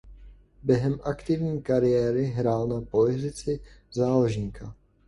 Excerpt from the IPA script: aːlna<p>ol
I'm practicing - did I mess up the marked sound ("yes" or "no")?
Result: no